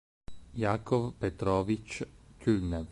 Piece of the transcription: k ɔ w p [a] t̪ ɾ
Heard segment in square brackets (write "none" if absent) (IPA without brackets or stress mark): ɛ